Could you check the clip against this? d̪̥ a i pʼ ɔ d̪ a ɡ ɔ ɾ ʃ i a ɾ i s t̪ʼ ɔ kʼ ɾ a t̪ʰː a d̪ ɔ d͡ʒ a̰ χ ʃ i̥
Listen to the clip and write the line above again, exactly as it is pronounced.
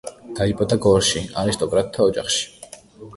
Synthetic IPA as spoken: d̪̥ a i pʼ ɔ d̪ a ɡ ɔ ɾ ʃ i a ɾ i s t̪ʼ ɔ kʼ ɾ a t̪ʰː a ɔ d͡ʒ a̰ χ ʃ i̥